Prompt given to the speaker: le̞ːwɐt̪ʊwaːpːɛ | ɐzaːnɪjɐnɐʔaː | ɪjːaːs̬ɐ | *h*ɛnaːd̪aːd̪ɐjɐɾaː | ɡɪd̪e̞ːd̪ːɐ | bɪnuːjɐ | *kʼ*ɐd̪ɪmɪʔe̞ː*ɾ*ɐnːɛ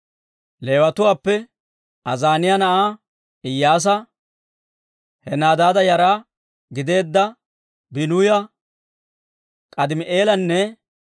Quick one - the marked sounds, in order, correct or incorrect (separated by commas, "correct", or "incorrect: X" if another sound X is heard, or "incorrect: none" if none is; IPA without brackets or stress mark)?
correct, correct, incorrect: l